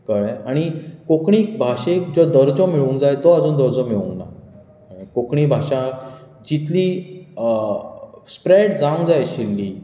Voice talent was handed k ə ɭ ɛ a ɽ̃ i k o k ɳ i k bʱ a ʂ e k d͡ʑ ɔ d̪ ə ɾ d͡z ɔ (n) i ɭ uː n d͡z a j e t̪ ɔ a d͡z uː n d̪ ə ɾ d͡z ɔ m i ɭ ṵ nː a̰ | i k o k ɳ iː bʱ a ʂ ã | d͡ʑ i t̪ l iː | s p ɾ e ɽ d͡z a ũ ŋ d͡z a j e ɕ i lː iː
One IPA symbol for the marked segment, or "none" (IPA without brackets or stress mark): m